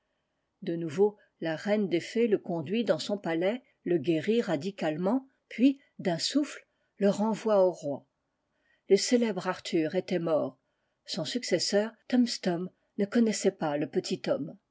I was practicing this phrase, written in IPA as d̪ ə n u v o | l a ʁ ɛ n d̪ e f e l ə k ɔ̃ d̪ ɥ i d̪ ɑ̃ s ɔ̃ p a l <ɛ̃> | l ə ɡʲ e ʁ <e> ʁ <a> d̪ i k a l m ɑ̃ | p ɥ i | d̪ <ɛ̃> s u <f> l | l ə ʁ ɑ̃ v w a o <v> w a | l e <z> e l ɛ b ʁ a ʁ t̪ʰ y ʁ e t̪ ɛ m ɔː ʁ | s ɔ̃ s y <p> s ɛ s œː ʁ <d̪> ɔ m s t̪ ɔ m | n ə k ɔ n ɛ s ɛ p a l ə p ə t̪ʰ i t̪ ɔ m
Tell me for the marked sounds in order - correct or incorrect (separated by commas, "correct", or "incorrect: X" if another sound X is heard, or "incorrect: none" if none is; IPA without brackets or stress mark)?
incorrect: ɛ, incorrect: i, correct, correct, correct, incorrect: ʁ, incorrect: s, incorrect: k, incorrect: t̪